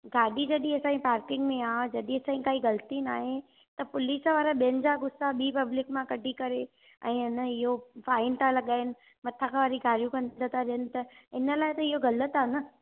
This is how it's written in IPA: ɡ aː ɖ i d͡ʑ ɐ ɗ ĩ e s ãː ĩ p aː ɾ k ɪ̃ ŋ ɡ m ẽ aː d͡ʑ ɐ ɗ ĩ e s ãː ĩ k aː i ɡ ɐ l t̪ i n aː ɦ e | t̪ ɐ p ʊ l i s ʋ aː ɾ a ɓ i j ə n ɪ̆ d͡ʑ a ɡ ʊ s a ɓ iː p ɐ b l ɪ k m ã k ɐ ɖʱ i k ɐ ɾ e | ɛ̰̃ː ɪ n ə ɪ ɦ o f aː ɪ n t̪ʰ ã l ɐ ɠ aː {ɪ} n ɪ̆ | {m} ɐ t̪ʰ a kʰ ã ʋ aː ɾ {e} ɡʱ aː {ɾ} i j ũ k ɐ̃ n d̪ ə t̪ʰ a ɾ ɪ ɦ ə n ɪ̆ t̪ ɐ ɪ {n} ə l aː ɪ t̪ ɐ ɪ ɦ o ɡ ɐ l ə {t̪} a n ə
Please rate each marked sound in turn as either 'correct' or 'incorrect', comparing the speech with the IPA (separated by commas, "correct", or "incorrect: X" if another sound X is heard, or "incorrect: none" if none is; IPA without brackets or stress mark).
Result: correct, correct, incorrect: i, correct, correct, correct